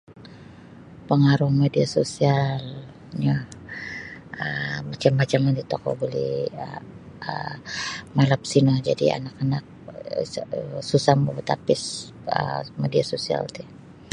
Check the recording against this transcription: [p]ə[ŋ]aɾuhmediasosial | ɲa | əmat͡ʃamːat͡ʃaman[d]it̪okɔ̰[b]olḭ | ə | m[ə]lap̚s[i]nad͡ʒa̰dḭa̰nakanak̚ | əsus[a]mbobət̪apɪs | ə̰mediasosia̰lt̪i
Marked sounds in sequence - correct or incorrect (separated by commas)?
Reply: correct, correct, correct, correct, incorrect, correct, correct